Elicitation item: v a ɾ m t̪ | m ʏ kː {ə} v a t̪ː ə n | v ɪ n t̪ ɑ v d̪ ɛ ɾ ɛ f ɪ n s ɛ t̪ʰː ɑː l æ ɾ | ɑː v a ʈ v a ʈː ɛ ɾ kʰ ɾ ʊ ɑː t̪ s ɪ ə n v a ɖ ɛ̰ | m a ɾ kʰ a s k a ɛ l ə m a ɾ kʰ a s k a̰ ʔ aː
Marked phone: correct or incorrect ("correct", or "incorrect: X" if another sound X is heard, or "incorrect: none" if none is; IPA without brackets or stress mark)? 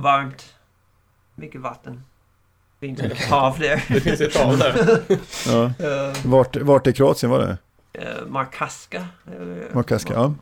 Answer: correct